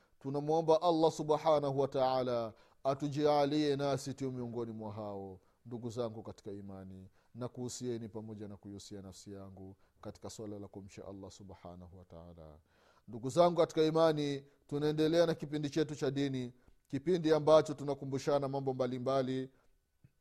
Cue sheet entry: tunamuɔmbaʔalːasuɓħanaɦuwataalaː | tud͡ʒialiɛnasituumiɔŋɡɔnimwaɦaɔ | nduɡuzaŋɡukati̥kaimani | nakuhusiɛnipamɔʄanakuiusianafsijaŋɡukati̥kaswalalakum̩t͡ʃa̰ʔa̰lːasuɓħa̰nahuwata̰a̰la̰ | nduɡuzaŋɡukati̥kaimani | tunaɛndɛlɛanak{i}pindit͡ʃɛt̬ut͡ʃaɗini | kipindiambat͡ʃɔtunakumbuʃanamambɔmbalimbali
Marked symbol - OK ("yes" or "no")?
yes